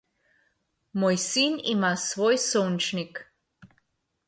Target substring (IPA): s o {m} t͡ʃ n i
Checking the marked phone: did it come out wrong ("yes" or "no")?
yes